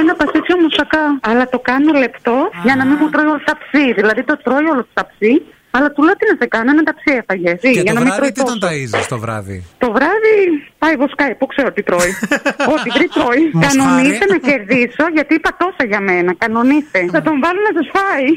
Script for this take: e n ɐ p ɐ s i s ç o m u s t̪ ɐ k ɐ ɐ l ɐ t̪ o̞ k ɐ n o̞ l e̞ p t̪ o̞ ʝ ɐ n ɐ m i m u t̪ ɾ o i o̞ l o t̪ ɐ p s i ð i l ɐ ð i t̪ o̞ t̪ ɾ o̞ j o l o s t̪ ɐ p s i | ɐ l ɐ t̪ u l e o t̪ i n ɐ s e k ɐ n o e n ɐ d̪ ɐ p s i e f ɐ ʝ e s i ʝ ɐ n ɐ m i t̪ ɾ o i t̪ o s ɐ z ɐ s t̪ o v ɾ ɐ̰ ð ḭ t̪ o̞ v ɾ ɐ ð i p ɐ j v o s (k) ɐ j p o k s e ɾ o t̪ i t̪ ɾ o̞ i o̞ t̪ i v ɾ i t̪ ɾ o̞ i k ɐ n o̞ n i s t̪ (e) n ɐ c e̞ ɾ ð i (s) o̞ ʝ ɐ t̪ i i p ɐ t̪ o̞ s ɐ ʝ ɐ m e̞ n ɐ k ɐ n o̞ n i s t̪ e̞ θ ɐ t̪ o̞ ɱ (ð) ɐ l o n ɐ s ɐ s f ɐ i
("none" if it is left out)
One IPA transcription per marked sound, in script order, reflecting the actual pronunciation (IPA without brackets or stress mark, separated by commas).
k, e, s, v